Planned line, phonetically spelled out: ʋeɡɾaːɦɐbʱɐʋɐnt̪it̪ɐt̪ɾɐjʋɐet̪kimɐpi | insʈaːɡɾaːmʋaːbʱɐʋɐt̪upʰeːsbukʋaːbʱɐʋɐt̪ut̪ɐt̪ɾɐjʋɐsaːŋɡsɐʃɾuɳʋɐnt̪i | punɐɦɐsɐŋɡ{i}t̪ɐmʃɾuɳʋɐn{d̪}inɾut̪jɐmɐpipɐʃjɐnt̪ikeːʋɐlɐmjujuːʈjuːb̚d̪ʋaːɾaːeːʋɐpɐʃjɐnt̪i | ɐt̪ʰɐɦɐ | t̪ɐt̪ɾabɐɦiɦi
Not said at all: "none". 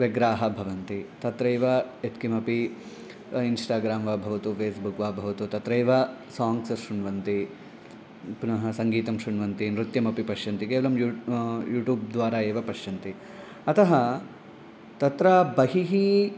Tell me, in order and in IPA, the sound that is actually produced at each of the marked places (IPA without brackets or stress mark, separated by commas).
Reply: iː, t̪